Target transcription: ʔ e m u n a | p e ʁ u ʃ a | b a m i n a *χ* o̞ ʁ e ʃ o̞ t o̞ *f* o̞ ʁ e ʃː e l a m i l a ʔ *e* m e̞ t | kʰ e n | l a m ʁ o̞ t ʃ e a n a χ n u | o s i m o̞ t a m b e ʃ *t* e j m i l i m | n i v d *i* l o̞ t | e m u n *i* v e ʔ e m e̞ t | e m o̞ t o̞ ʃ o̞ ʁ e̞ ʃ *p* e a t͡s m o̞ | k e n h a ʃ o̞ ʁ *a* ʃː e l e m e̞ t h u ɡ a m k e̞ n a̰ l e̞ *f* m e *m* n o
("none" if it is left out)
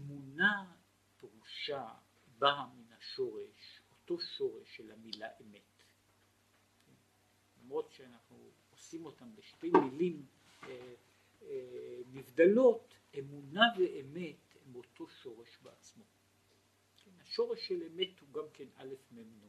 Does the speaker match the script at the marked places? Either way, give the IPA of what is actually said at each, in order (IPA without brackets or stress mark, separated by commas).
ʃ, ʃ, e, t, a, a, b, e, f, m